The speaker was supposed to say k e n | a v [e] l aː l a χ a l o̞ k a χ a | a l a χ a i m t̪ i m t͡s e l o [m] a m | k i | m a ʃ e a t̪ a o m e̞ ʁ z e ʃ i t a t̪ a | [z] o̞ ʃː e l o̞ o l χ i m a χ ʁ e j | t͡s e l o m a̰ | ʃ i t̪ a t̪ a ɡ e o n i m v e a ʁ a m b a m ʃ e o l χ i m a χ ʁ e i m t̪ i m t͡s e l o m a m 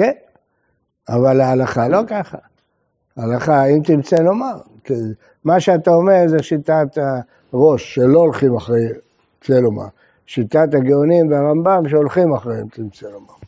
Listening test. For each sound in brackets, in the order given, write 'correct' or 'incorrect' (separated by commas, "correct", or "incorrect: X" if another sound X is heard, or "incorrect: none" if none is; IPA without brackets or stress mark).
incorrect: a, correct, incorrect: ʁ